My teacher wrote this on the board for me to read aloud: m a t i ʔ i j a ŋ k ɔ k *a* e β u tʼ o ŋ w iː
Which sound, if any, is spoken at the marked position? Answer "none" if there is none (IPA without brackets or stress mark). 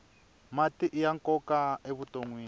a